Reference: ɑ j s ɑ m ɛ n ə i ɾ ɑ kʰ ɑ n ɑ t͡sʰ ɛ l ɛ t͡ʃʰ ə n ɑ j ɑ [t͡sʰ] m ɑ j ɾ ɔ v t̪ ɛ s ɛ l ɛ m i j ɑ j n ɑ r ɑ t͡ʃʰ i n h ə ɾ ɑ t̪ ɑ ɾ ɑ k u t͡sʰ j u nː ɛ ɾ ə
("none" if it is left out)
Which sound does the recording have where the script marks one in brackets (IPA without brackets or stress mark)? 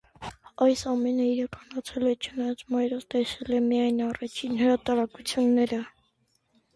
t͡s